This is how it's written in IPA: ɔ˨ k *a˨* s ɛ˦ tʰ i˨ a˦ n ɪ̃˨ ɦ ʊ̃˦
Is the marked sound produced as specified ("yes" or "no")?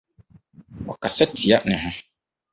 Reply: yes